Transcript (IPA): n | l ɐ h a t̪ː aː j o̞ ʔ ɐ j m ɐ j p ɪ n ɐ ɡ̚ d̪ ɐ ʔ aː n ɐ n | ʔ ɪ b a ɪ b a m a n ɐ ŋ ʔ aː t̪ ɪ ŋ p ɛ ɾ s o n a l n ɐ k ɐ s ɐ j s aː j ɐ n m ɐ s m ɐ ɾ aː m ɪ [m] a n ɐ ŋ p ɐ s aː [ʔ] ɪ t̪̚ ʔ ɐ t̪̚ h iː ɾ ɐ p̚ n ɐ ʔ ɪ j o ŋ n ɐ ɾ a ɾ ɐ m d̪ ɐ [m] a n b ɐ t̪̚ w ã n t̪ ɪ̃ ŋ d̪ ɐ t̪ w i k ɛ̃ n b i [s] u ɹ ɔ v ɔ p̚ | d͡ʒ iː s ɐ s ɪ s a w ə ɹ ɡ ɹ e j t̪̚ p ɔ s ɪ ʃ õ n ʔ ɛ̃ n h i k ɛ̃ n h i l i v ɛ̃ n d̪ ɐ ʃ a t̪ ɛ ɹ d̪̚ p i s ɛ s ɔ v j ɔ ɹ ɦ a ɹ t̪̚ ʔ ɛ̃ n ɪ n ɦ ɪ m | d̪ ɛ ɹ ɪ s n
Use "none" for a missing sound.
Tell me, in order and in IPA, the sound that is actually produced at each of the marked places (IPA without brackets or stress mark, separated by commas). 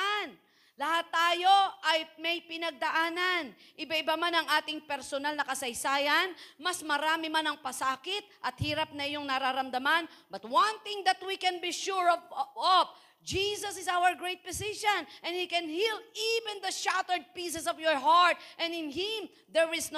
m, k, m, ʃ